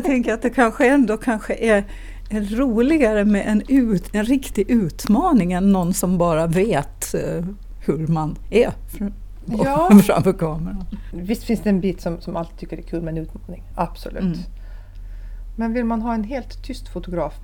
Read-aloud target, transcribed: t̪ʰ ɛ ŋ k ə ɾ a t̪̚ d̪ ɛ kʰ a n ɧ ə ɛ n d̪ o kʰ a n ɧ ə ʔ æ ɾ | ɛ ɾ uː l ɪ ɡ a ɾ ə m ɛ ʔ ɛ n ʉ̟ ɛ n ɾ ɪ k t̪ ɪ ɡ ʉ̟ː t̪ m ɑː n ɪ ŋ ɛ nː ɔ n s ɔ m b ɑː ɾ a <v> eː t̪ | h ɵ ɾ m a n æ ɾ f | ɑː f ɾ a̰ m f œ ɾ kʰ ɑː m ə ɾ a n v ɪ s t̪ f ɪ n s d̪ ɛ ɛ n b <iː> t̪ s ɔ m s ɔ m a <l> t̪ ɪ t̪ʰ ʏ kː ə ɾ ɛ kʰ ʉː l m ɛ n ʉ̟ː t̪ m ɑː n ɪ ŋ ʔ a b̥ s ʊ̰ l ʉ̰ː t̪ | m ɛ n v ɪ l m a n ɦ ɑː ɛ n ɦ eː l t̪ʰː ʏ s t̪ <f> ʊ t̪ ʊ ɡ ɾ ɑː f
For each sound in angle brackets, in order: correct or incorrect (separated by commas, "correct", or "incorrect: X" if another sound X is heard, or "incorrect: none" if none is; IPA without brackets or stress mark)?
correct, correct, correct, correct